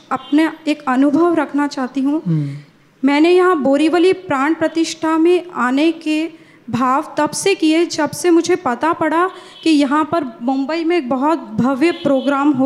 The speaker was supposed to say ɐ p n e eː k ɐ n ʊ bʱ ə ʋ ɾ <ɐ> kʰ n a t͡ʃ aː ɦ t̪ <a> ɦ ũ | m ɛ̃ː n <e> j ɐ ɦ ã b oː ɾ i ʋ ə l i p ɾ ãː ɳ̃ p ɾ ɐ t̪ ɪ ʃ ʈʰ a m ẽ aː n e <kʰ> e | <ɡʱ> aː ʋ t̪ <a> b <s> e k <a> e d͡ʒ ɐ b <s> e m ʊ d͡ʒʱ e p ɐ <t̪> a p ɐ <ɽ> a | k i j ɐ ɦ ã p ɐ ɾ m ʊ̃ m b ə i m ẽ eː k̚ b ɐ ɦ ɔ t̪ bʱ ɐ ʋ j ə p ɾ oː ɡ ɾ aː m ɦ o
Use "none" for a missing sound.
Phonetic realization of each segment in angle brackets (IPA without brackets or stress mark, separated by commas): ɐ, i, e, k, bʱ, ɐ, s, i, s, t̪, ɽ